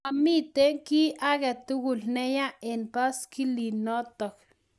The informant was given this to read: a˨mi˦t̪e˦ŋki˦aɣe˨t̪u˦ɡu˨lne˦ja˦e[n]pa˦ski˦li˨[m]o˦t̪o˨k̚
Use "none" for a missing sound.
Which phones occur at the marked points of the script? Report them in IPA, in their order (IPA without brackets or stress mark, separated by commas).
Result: n, n